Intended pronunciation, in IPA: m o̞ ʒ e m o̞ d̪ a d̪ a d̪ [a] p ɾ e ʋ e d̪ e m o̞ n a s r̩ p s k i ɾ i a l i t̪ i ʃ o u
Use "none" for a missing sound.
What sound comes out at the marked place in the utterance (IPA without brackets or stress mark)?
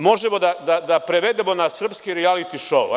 a